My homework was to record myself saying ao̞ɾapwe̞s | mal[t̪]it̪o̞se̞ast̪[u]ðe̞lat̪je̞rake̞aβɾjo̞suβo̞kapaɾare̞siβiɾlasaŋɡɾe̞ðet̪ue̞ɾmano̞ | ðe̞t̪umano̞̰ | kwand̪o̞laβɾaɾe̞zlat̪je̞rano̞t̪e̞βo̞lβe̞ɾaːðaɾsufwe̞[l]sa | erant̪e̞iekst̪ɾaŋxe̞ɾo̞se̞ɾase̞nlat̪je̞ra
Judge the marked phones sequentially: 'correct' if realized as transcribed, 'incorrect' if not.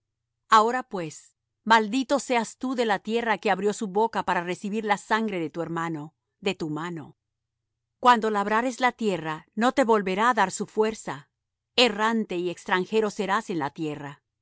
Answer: incorrect: d̪, correct, incorrect: ɾ

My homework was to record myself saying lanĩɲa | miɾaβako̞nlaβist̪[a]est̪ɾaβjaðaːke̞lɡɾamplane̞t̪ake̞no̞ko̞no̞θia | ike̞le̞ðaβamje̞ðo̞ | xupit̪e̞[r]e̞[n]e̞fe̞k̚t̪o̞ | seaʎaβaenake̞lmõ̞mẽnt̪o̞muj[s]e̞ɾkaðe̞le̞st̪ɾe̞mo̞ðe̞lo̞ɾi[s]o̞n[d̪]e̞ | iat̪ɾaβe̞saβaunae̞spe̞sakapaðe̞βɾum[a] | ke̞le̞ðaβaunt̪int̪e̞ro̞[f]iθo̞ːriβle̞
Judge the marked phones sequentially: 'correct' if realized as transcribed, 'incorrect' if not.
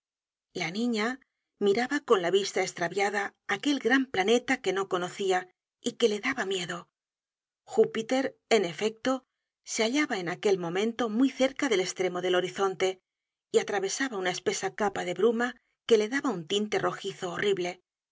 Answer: correct, incorrect: ɾ, correct, incorrect: θ, incorrect: θ, incorrect: t̪, correct, incorrect: x

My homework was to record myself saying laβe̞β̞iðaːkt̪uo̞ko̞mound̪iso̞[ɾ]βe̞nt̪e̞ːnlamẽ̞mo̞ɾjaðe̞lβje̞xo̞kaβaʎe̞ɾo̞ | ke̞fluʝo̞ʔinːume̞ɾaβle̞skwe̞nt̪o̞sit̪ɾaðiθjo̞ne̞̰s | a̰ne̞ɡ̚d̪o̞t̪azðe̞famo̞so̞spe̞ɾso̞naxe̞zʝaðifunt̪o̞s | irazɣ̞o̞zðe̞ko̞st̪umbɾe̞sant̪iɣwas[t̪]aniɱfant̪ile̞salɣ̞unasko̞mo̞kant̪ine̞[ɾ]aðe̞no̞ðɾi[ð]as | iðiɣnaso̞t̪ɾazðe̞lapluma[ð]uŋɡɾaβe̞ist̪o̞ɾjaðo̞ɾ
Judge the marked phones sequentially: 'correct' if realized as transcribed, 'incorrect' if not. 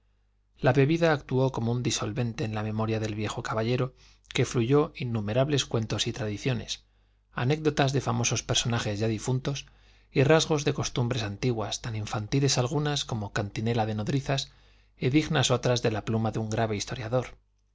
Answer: incorrect: l, correct, incorrect: l, incorrect: θ, correct

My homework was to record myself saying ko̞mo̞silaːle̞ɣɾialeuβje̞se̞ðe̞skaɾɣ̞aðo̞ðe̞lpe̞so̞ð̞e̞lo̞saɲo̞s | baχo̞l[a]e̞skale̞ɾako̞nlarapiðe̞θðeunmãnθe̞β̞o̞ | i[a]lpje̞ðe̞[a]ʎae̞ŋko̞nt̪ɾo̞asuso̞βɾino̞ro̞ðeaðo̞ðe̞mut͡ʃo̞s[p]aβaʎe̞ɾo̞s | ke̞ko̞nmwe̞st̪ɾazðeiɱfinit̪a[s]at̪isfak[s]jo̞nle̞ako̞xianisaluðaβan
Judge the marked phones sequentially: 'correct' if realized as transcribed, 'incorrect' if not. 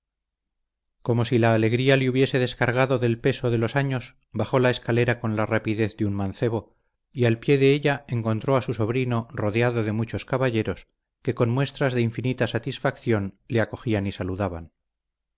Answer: correct, correct, incorrect: e, incorrect: k, correct, incorrect: θ

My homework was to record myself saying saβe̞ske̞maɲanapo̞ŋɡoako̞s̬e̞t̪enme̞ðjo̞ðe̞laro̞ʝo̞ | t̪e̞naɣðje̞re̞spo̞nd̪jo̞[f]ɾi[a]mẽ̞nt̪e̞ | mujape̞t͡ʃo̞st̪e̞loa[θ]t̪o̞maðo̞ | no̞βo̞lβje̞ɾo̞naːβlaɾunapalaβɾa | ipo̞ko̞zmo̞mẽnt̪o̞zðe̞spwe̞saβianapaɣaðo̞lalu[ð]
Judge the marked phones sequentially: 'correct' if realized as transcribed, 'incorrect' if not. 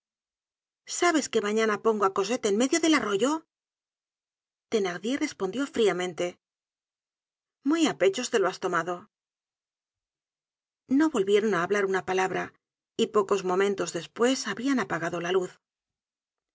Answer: correct, correct, incorrect: s, incorrect: θ

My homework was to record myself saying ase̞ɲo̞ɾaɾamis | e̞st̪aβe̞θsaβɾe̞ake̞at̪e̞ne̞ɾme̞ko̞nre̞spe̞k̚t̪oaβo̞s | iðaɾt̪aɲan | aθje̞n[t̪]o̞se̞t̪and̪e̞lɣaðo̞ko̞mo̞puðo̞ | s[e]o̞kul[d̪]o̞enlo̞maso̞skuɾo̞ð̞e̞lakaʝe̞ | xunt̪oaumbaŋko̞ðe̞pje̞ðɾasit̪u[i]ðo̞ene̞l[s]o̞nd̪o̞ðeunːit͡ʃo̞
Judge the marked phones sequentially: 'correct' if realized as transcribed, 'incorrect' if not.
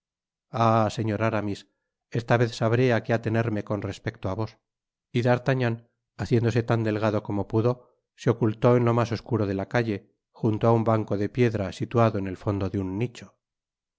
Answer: incorrect: d̪, correct, incorrect: t̪, incorrect: a, incorrect: f

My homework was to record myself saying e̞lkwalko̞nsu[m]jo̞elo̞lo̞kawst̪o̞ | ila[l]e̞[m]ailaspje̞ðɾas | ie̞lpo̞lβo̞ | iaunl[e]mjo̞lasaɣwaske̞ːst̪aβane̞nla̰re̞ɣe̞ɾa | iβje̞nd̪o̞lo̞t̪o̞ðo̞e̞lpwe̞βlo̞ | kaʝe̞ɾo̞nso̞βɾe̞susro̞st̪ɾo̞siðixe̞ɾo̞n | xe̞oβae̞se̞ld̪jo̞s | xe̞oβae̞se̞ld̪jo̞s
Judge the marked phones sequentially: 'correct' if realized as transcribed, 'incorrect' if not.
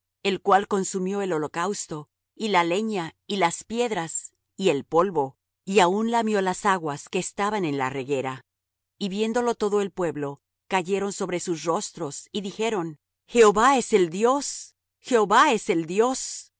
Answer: correct, correct, incorrect: ɲ, incorrect: a

